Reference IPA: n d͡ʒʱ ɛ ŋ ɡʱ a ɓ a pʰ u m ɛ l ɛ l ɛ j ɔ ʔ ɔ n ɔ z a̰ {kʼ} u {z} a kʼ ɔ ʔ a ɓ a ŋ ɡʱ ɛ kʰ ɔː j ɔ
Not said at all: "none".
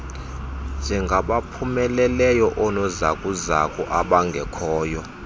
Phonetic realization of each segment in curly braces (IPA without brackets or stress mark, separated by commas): kʼ, z